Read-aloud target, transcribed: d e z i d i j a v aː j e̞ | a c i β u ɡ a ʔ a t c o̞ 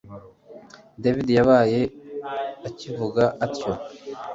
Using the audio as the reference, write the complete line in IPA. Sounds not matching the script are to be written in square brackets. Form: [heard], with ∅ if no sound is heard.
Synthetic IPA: d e [v] i d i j a [β] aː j e̞ | a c i [v] u ɡ a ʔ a t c o̞